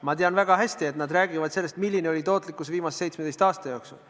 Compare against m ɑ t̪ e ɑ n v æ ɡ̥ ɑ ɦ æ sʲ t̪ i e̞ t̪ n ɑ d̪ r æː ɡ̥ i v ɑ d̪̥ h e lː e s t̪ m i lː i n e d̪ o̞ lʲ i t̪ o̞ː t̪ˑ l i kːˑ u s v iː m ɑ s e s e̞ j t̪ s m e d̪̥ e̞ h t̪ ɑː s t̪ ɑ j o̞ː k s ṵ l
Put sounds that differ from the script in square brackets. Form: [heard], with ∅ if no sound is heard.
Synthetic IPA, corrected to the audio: m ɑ t̪ e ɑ n v æ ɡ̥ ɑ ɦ æ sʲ t̪ i e̞ t̪ n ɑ d̪ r æː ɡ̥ i v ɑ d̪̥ [s] e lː e s t̪ m i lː i n e [∅] o̞ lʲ i t̪ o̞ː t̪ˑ l i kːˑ u s v iː m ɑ s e s e̞ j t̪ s m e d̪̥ e̞ [s] t̪ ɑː s t̪ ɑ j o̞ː k s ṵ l